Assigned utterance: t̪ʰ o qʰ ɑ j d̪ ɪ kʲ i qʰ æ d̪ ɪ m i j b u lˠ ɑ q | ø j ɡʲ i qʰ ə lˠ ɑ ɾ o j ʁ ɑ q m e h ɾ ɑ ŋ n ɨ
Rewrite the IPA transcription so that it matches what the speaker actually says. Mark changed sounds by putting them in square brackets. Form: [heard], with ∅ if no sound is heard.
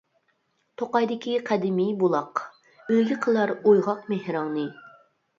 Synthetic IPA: t̪ʰ o [q] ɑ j d̪ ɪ kʲ i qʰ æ d̪ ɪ m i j b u lˠ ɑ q | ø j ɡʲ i qʰ ə lˠ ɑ ɾ o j ʁ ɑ q m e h ɾ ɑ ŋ n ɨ

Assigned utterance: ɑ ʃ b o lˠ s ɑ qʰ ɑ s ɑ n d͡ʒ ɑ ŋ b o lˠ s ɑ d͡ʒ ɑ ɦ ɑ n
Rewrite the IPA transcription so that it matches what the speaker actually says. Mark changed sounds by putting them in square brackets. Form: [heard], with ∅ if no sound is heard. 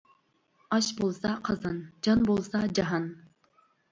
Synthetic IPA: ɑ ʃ b o lˠ s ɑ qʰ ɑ [z] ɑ n d͡ʒ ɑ [n] b o lˠ s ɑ d͡ʒ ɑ ɦ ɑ n

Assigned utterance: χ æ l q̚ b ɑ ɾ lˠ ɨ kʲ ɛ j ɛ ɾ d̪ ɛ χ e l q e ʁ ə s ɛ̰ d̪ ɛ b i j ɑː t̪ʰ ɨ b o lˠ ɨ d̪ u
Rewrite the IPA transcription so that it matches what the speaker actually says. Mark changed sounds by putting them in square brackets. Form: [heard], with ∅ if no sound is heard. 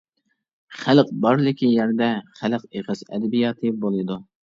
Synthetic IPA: χ æ l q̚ b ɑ ɾ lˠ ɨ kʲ [i] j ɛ ɾ d̪ ɛ χ [æ] l q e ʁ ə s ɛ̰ d̪ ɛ b i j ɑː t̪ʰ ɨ b o lˠ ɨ d̪ u

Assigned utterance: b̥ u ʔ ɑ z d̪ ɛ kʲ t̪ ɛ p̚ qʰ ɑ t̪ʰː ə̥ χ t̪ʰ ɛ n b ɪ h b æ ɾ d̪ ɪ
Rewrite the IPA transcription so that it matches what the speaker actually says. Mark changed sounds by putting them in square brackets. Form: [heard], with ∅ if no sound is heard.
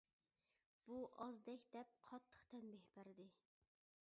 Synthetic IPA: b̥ u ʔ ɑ z d̪ ɛ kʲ [d̪] ɛ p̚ qʰ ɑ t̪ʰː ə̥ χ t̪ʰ ɛ n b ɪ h b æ ɾ d̪ ɪ

